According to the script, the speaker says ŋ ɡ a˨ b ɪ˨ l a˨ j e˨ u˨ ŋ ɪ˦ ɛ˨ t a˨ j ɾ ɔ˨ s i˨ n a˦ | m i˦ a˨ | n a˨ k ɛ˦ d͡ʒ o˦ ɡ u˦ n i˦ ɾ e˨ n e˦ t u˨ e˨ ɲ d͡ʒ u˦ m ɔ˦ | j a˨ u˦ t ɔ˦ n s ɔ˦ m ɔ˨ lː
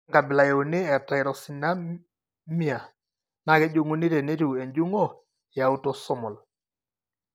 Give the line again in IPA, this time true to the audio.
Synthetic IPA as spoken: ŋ ɡ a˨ b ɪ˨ l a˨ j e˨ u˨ n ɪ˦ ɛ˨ t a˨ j ɾ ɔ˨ s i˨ n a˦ | m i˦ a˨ | n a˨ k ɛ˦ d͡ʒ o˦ ŋ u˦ n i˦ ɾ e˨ n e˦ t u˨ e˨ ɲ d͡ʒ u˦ ŋ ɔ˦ | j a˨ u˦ t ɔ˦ s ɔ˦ m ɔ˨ l